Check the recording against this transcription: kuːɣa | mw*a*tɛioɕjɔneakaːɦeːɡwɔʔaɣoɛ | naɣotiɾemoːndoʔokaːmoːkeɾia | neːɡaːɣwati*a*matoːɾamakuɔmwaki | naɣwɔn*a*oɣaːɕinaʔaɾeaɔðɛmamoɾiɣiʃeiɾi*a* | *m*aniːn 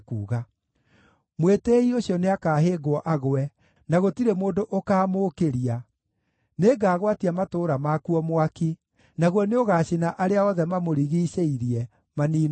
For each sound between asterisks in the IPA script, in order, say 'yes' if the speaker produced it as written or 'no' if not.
no, yes, no, no, yes

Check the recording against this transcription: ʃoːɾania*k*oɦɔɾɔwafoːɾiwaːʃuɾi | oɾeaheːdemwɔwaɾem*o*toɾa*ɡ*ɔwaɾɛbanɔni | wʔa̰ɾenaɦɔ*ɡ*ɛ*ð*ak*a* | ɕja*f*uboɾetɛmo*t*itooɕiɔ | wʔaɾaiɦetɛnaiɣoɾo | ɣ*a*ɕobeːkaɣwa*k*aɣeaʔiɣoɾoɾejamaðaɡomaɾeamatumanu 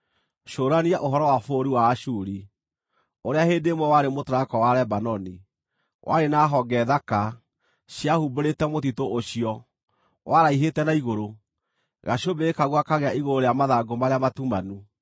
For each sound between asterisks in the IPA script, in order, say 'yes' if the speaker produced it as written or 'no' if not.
no, yes, no, yes, yes, yes, no, yes, yes, yes

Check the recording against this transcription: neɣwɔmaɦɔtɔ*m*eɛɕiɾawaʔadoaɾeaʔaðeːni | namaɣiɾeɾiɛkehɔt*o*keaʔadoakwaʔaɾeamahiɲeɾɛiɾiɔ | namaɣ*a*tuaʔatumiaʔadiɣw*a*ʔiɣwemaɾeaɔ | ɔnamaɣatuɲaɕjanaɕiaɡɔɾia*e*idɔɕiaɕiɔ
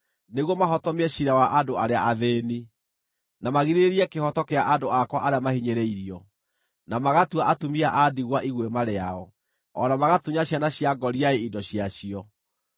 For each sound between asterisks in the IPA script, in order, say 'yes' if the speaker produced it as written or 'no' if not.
yes, no, yes, yes, yes

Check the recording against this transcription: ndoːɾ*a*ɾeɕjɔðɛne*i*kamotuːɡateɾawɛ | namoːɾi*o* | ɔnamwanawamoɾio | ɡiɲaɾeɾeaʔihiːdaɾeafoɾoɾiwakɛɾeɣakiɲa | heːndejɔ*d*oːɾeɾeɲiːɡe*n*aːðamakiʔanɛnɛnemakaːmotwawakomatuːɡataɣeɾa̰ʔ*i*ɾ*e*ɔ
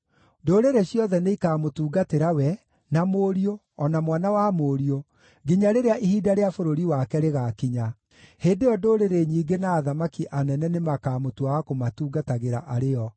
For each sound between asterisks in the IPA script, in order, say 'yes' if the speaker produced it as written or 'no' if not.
no, yes, yes, yes, yes, no, yes

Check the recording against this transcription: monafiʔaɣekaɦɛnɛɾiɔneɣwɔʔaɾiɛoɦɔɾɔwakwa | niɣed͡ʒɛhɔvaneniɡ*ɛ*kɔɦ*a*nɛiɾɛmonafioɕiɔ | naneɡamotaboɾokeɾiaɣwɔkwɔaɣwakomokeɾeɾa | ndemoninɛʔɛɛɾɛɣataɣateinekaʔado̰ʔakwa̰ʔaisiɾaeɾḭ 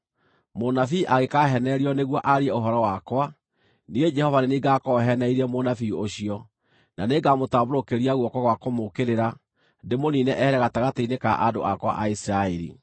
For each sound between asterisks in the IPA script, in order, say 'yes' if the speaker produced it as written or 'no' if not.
no, no

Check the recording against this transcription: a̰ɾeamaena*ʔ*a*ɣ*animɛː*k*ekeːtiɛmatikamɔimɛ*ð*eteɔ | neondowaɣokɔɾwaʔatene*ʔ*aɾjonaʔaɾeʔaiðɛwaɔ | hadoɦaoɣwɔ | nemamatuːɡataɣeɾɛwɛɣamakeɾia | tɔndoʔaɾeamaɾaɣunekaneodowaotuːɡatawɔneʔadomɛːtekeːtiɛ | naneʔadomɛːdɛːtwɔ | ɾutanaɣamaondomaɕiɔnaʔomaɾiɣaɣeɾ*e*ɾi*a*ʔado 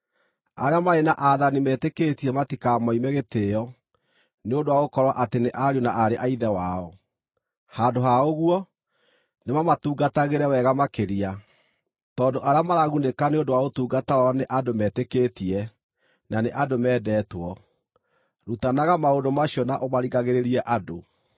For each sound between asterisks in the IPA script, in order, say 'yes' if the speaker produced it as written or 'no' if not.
yes, no, no, no, yes, yes, no

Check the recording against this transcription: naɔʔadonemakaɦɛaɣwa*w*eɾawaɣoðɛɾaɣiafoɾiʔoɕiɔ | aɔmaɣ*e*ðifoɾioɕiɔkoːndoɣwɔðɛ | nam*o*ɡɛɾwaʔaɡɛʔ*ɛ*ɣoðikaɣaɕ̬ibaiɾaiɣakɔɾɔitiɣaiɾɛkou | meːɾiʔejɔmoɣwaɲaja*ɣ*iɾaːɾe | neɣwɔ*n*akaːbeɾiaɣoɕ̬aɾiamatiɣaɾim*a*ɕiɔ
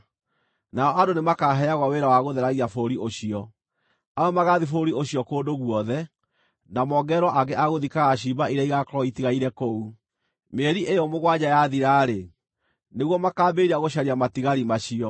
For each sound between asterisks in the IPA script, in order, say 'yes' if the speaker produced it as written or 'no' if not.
yes, no, no, no, no, no, yes

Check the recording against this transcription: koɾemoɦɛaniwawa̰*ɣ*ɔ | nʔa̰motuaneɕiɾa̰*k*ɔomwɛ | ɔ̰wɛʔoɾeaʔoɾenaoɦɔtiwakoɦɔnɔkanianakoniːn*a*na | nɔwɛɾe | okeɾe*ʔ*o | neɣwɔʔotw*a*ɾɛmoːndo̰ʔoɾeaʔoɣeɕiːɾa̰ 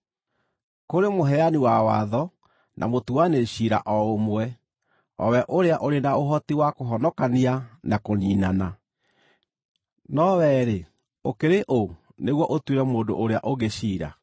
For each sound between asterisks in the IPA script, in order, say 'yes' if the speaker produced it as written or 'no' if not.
no, no, yes, yes, no

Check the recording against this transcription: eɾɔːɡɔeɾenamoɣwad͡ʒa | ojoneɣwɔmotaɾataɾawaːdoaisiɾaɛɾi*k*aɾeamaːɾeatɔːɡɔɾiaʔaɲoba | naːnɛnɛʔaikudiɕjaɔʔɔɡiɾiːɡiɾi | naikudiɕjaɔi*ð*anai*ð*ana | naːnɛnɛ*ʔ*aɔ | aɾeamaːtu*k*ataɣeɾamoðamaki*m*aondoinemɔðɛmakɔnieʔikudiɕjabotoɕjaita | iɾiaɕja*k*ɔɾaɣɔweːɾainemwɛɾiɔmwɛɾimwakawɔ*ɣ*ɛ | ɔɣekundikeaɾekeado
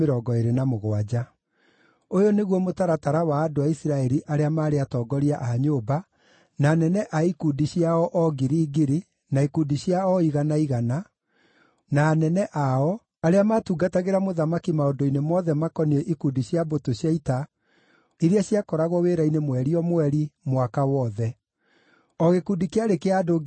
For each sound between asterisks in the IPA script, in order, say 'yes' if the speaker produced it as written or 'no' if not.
no, no, no, yes, no, yes, yes, no

